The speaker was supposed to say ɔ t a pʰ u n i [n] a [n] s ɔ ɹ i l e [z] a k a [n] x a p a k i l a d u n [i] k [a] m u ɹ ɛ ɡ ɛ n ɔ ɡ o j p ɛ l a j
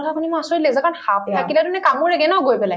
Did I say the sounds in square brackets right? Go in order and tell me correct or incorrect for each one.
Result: incorrect, incorrect, correct, correct, incorrect, correct

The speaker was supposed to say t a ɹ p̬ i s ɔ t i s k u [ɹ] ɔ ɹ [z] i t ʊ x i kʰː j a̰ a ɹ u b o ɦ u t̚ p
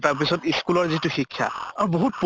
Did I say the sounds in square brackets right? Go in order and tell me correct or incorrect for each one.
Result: incorrect, correct

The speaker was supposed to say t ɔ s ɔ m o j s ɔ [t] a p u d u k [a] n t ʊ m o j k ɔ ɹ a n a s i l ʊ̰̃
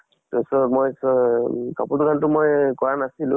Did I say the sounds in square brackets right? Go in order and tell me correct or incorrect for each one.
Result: incorrect, correct

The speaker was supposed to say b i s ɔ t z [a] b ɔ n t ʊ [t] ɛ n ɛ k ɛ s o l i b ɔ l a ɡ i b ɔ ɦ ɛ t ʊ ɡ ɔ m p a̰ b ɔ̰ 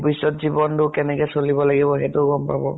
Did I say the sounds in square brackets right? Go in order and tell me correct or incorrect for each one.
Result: incorrect, incorrect

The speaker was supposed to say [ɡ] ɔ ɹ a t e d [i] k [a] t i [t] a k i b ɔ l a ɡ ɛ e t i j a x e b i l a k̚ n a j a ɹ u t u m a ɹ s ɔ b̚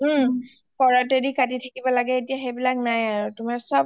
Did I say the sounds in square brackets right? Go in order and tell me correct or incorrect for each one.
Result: incorrect, correct, correct, incorrect

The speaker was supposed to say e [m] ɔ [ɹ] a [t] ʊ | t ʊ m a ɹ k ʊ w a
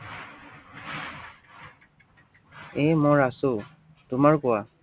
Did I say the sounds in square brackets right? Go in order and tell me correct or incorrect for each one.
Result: correct, correct, incorrect

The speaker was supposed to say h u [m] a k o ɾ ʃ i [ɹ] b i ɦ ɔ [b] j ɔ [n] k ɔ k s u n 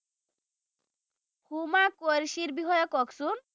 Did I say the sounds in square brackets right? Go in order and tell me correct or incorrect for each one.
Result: correct, incorrect, incorrect, incorrect

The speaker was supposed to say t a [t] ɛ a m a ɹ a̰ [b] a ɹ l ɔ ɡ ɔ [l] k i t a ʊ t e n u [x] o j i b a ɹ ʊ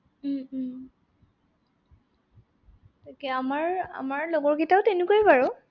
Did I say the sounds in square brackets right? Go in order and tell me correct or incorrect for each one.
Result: incorrect, incorrect, incorrect, incorrect

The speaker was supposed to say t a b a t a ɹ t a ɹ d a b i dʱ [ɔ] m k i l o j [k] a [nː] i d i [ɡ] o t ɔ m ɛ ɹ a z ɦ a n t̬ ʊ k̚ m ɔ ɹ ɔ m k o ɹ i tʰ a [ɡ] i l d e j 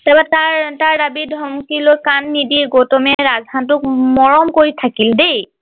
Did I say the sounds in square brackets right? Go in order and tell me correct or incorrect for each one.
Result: correct, correct, correct, correct, incorrect

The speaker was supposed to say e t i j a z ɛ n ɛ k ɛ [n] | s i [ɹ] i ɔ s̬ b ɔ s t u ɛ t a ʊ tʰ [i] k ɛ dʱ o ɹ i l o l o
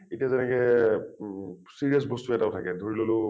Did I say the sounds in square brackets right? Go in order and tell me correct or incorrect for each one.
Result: incorrect, correct, incorrect

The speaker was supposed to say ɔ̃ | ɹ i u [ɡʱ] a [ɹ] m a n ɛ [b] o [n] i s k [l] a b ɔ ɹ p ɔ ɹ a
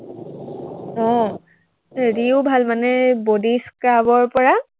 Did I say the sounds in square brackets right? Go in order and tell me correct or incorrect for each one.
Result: incorrect, incorrect, correct, incorrect, incorrect

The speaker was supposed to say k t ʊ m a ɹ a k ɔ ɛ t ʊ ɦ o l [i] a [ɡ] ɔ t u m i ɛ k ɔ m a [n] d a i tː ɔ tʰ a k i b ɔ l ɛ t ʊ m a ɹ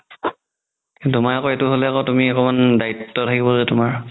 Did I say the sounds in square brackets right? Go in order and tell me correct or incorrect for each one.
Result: incorrect, incorrect, correct

